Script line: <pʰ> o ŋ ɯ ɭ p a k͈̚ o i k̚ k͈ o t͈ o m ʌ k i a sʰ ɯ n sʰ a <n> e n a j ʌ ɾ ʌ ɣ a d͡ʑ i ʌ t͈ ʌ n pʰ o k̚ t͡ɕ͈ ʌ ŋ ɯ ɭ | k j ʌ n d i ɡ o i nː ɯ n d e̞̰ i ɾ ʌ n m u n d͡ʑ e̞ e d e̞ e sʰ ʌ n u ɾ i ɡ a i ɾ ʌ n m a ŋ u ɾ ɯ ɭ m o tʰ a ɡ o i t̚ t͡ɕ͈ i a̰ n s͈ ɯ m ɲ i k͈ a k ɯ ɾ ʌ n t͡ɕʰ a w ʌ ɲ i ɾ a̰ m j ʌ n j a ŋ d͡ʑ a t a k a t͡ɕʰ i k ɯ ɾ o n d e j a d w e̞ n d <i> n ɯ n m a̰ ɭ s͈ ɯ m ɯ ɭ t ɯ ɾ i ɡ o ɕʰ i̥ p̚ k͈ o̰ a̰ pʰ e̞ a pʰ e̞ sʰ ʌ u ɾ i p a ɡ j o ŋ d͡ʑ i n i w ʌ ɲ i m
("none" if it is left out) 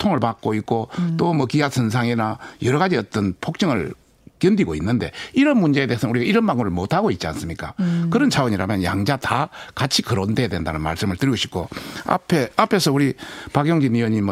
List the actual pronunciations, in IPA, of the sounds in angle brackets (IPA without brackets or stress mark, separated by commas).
tʰ, ŋ, a